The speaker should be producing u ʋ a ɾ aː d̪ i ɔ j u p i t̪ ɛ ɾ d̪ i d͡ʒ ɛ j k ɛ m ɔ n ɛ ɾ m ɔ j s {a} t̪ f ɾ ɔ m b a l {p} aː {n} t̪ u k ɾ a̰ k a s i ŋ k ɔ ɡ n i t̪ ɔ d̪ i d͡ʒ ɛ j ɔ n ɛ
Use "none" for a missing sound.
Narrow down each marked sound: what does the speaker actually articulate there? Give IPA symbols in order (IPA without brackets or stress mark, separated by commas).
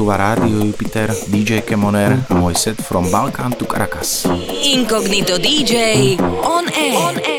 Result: ɛ, k, n